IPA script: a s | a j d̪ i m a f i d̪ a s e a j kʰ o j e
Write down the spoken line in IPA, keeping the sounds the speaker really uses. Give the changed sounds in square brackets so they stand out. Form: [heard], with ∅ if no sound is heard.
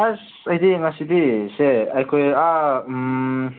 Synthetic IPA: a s | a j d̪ i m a [s] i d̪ [i] s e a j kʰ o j [a]